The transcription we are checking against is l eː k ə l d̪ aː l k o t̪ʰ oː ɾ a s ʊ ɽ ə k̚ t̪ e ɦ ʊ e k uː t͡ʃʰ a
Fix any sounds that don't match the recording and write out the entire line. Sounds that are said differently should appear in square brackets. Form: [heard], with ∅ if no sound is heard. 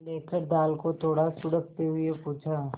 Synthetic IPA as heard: l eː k ə [ɾ] d̪ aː l k o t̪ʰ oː [ɽ] a s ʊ ɽ ə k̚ t̪ e ɦ ʊ e [p] uː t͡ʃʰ a